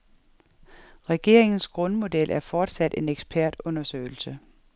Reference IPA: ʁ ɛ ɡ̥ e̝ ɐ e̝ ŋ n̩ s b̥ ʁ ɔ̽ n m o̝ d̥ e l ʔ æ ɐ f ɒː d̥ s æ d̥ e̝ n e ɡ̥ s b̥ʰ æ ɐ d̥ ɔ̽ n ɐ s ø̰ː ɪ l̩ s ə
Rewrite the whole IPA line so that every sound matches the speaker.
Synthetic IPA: ʁ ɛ ɡ̥ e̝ ɐ e̝ ŋ n̩ s ɡ̥ ʁ ɔ̽ n m o̝ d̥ e l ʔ æ ɐ f ɒː d̥ s æ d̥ e̝ n e ɡ̥ s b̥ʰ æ ɐ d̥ ɔ̽ n ɐ s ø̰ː ɪ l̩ s ə